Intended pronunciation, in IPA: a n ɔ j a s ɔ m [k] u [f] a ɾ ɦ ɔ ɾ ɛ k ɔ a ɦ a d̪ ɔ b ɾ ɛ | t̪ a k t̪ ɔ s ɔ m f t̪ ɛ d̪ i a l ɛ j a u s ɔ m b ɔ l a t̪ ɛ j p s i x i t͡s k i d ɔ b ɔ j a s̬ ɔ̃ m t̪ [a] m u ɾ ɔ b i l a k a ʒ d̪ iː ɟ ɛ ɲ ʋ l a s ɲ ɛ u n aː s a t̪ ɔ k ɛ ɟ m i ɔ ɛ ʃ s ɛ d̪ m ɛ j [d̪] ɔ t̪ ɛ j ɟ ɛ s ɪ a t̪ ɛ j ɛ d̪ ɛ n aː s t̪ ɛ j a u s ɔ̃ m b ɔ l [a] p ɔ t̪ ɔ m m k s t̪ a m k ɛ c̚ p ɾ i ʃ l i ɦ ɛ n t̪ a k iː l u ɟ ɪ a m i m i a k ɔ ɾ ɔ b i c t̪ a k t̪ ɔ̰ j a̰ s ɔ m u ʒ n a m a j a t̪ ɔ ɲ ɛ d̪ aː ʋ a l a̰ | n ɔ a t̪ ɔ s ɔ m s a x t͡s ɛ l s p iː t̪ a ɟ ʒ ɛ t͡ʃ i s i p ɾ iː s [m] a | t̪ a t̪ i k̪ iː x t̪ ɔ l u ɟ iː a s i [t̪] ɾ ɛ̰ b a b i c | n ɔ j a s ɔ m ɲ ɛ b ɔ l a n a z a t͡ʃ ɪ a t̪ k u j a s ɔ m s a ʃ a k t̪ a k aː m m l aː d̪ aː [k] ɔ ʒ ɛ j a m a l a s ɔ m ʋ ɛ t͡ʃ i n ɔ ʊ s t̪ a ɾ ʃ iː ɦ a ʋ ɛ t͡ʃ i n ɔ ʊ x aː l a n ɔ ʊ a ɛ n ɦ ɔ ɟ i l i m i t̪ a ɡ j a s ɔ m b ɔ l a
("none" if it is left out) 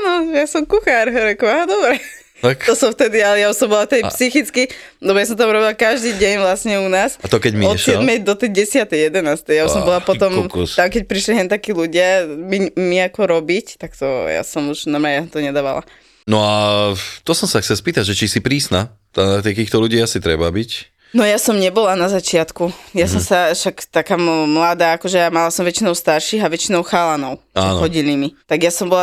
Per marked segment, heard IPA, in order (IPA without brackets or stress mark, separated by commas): k, x, a, d̪, a, n, t̪, k